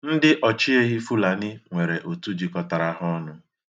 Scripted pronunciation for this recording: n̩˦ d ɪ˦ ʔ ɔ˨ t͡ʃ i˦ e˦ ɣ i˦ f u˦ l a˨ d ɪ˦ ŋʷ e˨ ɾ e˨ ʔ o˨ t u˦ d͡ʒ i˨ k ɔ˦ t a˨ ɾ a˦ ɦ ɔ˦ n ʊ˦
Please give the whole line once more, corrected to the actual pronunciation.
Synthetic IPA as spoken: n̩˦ d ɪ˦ ʔ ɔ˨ t͡ʃ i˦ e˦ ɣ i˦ f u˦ l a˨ n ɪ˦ ŋʷ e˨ ɾ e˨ ʔ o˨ t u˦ d͡ʒ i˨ k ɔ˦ t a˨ ɾ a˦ ɦ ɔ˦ n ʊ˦